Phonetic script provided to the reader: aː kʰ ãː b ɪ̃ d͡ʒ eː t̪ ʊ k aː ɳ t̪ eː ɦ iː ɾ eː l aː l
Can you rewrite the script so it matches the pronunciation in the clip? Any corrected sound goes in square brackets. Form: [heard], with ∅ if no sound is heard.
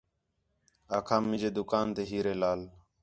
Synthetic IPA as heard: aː kʰ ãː [m] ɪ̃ d͡ʒ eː [d̪] ʊ k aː [n] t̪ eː ɦ iː ɾ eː l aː l